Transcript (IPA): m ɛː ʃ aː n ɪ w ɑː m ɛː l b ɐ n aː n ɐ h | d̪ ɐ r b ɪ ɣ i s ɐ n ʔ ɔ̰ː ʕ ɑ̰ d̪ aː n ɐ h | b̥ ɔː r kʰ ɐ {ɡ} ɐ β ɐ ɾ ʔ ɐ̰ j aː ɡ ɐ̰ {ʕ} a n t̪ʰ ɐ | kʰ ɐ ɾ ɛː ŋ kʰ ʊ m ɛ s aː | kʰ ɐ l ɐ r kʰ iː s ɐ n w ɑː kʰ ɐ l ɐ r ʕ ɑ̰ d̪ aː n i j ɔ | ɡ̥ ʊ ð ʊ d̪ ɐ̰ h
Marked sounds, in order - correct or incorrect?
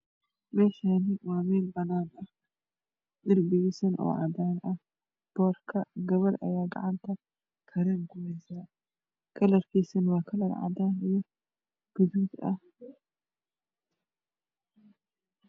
correct, correct

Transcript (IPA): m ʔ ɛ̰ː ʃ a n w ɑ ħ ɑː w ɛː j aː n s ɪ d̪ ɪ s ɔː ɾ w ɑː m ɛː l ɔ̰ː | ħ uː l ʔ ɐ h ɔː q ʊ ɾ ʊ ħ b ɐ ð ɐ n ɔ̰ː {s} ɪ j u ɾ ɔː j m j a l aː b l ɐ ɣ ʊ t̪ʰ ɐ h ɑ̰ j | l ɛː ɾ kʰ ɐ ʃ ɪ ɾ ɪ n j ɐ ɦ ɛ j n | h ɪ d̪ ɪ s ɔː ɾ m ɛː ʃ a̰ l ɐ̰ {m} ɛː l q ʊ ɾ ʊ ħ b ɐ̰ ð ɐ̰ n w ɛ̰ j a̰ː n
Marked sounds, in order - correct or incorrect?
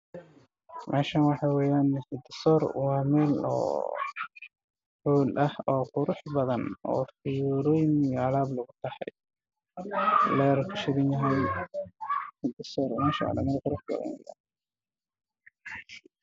incorrect, correct

